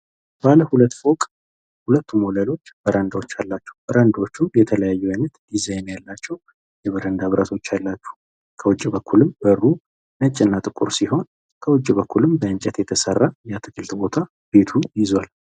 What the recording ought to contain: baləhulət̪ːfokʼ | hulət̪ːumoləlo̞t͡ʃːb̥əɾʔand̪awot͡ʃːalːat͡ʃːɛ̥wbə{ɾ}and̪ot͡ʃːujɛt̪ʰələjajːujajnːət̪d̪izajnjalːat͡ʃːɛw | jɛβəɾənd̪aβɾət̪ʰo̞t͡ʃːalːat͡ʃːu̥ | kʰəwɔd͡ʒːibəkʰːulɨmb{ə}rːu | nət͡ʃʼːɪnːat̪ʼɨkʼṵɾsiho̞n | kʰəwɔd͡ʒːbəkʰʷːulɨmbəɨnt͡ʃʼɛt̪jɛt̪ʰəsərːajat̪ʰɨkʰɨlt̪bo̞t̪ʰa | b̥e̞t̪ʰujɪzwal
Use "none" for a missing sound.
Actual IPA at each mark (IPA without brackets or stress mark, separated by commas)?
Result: ɾ, ə